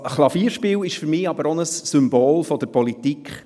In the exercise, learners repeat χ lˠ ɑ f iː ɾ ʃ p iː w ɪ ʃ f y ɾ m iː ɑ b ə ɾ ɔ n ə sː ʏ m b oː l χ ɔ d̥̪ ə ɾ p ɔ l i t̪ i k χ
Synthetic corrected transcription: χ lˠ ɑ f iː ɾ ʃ p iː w ɪ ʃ f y ɾ m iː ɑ b ə ɾ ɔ n ə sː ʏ m b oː l f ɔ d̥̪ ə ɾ p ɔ l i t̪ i k χ

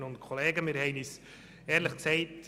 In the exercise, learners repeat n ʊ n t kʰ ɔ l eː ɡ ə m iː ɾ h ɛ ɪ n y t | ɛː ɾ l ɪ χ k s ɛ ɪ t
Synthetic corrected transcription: n ʊ n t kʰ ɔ l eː ɡ ə m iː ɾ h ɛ ɪ n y s | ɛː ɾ l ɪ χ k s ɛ ɪ t

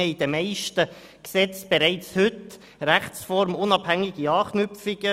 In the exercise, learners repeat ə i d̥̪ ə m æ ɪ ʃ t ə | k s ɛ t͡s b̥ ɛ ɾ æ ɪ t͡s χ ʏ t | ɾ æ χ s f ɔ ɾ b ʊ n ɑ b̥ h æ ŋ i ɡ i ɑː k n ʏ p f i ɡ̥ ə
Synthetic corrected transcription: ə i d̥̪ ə m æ ɪ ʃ t ə | k s ɛ t͡s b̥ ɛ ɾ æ ɪ t͡s h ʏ t | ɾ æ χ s f ɔ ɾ m ʊ n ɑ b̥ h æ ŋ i ɡ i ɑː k n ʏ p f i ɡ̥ ə

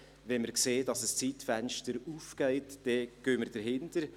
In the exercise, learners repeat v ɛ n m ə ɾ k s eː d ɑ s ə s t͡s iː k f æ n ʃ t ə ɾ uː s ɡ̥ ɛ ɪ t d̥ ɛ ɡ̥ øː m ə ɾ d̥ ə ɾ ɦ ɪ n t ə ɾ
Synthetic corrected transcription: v ɛ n m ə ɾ k s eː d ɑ s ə s t͡s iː t f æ n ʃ t ə ɾ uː f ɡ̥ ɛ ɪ t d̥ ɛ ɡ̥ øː m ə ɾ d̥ ə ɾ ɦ ɪ n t ə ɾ

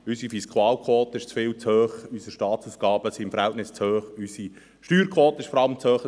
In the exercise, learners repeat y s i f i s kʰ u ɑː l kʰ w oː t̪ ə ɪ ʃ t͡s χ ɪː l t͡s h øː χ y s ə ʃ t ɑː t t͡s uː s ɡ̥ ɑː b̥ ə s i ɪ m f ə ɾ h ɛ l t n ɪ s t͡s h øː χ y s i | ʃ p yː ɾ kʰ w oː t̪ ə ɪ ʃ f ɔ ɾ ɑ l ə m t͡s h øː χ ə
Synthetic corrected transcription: y s i f i s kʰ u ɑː l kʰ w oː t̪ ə ɪ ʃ t͡s f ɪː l t͡s h øː χ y s ə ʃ t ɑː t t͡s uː s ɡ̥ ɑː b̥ ə s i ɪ m f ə ɾ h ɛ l t n ɪ s t͡s h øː χ y s i | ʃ t yː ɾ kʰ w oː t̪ ə ɪ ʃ f ɔ ɾ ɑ l ə m t͡s h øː χ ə

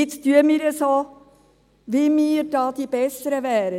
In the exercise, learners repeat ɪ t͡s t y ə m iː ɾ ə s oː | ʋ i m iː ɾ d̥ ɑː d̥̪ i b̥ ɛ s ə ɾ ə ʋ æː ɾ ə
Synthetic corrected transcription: ɪ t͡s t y ə m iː ɾ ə s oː | ʋ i m iː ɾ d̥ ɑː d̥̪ i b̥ ɛ s ə ɾ ə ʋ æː ɾ ə

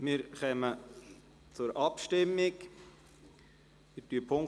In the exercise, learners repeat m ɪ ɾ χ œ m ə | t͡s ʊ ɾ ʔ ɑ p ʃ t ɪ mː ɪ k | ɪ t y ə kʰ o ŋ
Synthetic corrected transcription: m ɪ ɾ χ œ m ə | t͡s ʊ ɾ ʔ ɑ p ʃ t ɪ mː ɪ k | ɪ t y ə pʰ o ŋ

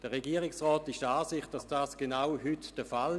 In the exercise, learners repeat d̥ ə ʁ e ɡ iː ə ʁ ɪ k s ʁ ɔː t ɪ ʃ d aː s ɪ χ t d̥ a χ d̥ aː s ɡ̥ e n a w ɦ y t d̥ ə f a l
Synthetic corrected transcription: d̥ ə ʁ e ɡ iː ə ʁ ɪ k s ʁ ɔː t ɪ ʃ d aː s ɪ χ t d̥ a s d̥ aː s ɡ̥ e n a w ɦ y t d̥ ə f a l

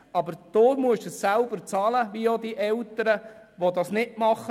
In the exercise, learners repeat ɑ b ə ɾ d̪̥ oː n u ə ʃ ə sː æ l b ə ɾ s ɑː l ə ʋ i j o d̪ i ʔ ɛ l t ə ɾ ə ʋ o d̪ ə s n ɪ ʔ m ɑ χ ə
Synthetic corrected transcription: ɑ b ə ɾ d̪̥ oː m u ə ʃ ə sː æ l b ə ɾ t͡s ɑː l ə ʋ i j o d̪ i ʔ ɛ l t ə ɾ ə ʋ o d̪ ɑ s n ɪ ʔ m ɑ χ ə

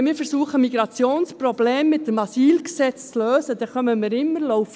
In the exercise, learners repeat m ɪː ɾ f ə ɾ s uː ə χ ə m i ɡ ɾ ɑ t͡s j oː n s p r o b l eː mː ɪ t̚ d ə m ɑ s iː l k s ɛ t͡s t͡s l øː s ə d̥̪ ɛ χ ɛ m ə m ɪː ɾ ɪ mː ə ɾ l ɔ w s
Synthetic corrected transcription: m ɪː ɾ f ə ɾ s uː ə χ ə m i ɡ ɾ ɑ t͡s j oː n s p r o b l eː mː ɪ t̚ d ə m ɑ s iː l k s ɛ t͡s t͡s l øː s ə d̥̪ ɛ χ œ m ə m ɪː ɾ ɪ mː ə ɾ l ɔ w f

